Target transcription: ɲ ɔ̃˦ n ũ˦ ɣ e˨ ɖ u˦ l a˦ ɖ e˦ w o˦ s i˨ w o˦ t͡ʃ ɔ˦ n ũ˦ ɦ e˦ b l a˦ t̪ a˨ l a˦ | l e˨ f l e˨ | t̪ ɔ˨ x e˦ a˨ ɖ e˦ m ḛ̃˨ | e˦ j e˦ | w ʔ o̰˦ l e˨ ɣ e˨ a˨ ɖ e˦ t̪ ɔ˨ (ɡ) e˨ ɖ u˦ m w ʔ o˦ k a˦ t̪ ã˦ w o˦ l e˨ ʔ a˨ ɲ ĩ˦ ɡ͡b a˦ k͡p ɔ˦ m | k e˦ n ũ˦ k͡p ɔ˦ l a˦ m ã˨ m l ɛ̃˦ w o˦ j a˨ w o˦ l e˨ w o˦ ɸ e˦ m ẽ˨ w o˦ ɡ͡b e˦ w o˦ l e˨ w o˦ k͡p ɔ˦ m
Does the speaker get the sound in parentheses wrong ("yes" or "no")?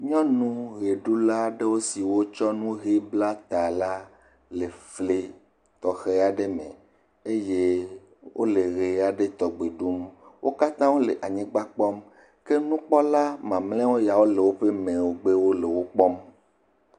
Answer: yes